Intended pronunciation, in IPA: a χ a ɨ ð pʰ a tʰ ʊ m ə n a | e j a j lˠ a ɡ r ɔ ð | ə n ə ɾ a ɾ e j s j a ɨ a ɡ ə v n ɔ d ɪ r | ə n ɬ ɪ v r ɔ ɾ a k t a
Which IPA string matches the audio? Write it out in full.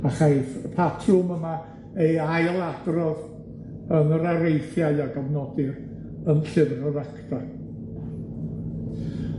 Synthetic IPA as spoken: a χ a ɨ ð pʰ a tʰ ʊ m ə m a | e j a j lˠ a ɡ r ɔ ð | ə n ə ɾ a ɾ e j θ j a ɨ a ɡ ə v n ɔ d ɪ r | ə n ɬ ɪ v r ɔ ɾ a k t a